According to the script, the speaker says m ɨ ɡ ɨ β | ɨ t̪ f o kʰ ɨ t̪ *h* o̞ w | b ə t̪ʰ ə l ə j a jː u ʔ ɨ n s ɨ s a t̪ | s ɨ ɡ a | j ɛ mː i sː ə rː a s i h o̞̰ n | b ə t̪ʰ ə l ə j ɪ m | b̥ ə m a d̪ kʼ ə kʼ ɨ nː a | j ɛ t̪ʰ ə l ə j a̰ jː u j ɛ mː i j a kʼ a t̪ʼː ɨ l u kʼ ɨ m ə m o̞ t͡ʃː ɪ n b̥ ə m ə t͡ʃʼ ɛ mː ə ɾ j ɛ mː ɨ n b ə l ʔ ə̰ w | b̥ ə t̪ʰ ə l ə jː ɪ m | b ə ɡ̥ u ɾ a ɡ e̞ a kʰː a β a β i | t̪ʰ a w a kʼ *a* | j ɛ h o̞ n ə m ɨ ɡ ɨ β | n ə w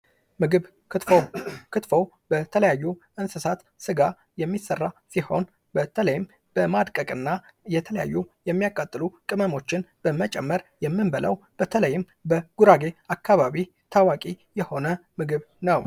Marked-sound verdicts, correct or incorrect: incorrect: f, incorrect: i

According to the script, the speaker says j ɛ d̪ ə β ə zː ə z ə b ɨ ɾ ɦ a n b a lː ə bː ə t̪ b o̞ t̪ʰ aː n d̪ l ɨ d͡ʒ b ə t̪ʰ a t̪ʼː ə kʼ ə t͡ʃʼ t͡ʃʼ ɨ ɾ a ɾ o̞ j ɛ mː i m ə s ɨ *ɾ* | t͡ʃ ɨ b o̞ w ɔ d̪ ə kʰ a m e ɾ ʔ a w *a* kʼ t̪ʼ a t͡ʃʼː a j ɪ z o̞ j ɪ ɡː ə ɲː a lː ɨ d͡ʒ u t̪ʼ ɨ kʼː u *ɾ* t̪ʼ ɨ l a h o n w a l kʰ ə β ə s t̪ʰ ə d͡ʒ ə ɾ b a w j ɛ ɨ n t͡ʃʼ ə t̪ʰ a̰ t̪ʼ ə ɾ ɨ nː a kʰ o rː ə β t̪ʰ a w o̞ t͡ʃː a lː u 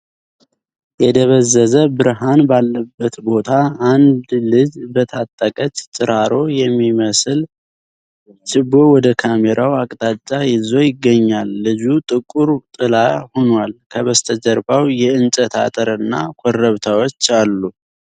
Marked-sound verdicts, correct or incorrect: incorrect: l, correct, correct

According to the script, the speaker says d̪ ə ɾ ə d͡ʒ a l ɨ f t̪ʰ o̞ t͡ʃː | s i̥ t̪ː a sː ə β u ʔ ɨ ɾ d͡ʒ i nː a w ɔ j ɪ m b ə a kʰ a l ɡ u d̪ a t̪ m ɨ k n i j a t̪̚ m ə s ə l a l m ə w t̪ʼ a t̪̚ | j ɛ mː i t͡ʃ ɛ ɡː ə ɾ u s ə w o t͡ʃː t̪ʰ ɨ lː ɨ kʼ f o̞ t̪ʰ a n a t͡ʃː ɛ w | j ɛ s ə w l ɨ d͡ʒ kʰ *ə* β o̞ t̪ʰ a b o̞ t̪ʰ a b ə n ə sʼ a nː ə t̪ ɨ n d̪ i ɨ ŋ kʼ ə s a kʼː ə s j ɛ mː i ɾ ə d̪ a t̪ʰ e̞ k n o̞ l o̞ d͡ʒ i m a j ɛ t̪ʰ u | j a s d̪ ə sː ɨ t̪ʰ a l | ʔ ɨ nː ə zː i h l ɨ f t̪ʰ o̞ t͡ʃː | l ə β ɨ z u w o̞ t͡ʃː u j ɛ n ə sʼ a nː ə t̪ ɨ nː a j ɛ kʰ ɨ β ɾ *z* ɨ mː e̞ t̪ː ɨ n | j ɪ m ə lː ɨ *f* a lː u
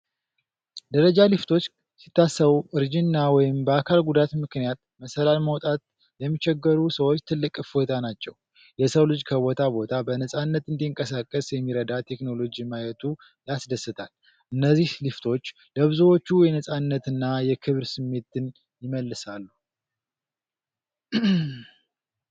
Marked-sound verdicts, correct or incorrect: correct, incorrect: s, incorrect: s

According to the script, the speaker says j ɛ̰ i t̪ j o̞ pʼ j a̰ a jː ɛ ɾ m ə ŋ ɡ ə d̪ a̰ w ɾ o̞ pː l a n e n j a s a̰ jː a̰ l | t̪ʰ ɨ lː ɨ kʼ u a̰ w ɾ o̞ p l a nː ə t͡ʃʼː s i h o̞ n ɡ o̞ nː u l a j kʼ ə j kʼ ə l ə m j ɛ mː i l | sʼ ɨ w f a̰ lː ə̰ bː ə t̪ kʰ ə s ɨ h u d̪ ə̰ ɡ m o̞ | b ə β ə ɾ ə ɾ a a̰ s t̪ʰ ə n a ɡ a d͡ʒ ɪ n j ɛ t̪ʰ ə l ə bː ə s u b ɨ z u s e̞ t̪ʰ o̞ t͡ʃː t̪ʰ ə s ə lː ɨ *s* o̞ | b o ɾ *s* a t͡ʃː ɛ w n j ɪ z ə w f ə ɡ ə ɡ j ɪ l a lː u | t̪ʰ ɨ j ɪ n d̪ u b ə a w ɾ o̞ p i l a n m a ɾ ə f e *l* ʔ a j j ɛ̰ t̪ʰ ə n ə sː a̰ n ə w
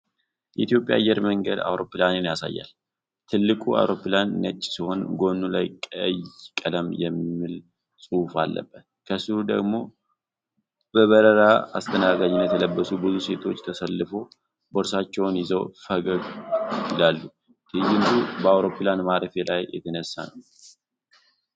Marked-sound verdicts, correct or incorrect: incorrect: f, correct, correct

